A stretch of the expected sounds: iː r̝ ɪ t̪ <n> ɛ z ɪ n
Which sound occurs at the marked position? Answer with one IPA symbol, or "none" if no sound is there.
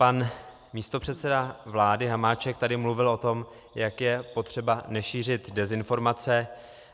d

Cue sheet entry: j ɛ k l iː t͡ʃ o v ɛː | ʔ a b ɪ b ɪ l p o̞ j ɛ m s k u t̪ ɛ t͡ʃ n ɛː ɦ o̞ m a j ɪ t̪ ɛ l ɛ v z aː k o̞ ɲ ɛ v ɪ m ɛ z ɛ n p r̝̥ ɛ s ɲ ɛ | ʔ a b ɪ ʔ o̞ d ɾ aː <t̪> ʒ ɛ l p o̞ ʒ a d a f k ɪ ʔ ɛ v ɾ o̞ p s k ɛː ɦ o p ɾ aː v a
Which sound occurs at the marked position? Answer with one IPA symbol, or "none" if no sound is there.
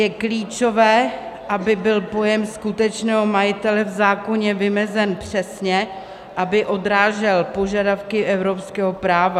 none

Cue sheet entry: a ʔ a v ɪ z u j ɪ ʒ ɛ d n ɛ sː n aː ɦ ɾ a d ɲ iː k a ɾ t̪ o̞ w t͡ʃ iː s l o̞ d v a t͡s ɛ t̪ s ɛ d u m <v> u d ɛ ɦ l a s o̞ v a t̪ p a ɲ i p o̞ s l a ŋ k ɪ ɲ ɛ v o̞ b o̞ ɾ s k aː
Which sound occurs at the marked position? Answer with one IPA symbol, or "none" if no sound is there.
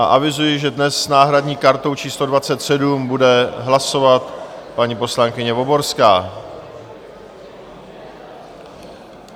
b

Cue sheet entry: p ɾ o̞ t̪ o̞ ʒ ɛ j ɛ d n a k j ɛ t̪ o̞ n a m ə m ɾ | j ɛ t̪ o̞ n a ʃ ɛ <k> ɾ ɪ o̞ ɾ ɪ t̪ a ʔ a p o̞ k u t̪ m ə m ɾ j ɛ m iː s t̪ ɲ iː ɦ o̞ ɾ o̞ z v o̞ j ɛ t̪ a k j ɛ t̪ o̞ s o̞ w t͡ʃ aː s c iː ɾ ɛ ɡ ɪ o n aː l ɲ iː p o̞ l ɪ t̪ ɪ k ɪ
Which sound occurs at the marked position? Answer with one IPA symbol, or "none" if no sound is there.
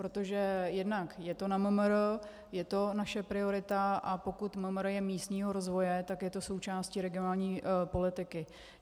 p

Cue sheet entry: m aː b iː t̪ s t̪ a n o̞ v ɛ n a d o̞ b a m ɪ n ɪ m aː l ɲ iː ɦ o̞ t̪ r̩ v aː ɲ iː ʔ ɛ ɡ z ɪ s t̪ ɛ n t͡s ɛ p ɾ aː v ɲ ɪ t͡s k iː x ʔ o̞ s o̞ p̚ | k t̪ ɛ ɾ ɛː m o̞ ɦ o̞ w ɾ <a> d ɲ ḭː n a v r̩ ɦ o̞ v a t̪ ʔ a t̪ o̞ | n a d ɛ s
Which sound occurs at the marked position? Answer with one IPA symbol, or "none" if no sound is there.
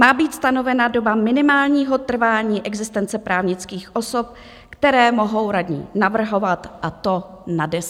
a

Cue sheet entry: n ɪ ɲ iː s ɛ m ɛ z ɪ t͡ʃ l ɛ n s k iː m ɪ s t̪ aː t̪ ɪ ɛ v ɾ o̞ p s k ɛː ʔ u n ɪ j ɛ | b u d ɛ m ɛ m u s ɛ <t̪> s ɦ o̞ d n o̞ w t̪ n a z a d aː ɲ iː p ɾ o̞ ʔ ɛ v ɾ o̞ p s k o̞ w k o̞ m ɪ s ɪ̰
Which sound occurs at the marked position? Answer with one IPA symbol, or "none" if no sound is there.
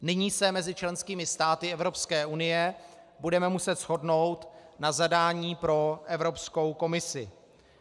t̪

